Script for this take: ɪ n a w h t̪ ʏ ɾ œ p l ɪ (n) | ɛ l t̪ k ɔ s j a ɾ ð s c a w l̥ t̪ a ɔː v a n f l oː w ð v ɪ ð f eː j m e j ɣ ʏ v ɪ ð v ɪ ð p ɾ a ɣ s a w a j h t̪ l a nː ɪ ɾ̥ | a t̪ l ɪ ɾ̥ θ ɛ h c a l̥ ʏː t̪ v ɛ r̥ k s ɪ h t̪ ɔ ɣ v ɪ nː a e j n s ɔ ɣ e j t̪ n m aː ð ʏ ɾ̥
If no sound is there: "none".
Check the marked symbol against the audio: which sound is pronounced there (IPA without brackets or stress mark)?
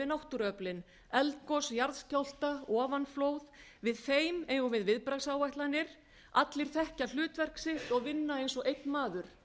n